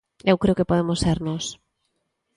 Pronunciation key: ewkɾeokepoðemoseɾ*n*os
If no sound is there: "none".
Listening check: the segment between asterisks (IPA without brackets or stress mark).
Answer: n